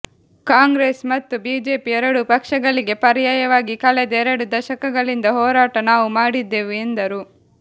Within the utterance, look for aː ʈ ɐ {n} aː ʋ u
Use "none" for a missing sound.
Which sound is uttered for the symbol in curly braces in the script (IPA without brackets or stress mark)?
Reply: n